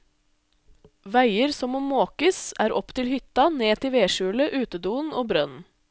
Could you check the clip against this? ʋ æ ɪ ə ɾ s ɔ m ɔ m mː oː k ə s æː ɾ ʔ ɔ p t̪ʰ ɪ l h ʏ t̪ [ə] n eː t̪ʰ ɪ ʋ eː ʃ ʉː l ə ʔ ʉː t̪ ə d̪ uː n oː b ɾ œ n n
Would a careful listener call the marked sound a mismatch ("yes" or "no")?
yes